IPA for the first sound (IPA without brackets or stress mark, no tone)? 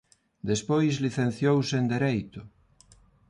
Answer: d̪